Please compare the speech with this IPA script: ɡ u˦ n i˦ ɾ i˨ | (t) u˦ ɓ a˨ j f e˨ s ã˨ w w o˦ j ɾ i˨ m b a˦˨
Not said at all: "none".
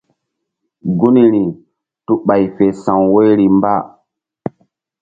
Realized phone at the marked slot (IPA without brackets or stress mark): t